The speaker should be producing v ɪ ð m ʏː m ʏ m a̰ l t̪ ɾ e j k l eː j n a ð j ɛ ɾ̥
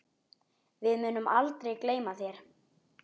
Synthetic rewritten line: v ɪ ð m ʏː n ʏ m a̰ l t̪ ɾ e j k l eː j m a θ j ɛ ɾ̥